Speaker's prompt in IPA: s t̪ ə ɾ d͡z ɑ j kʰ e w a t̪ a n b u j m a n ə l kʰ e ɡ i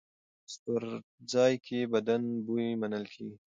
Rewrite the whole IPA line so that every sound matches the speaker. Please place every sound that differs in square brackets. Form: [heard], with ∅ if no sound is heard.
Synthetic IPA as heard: s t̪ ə ɾ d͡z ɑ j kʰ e [b] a [d̪] a n b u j m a n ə l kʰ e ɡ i